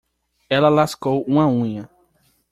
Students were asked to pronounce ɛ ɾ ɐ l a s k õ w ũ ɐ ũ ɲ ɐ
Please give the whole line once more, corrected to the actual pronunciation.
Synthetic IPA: ɛ l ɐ l a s k o w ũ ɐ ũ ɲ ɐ